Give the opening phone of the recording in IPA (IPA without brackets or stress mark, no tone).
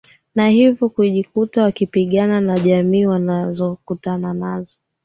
n